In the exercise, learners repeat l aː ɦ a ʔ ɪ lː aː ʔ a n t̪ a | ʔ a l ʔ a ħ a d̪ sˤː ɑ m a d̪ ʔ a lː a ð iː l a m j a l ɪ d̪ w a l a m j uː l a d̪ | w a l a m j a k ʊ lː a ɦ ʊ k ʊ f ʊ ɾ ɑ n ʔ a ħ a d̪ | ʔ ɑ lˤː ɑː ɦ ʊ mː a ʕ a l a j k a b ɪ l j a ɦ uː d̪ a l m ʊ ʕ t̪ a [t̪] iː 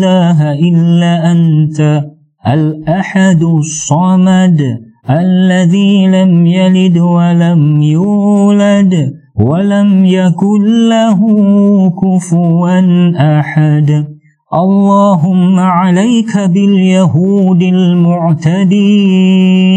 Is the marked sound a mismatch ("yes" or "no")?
yes